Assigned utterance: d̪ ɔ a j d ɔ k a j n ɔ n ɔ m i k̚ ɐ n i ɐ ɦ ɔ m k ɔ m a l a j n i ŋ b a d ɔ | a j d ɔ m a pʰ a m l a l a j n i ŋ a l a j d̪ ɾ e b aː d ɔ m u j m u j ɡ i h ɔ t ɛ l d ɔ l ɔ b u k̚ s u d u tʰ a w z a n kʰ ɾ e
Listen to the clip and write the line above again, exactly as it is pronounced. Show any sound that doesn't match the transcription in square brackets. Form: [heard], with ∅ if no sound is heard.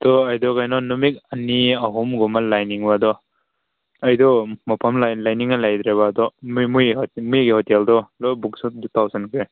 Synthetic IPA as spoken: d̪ ɔ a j d ɔ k a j n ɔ n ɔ m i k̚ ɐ n i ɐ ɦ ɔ m [ɡ] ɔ m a l a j n i ŋ b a d ɔ | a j d ɔ m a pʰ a m l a l a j n i ŋ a l a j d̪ ɾ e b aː d ɔ m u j m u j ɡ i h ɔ t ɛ l d ɔ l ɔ b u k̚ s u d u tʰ a w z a n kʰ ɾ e